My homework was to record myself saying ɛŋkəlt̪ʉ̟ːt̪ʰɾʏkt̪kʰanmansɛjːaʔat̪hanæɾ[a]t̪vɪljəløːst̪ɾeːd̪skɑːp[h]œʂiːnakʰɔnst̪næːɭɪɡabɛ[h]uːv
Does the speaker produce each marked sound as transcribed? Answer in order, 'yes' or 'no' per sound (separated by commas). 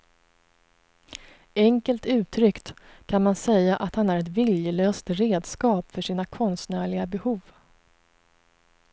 no, no, yes